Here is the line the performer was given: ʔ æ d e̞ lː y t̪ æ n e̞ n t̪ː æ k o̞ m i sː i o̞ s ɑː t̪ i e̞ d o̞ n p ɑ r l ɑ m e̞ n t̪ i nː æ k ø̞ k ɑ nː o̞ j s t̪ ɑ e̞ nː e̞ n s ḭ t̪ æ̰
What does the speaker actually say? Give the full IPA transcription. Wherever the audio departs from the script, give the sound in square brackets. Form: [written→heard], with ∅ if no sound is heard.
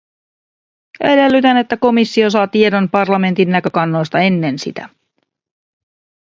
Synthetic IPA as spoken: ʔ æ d e̞ lː y t̪ æ n e̞ [n→∅] t̪ː æ k o̞ m i sː i o̞ s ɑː t̪ i e̞ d o̞ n p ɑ r l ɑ m e̞ n t̪ i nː æ k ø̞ k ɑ nː o̞ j s t̪ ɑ e̞ nː e̞ n s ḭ t̪ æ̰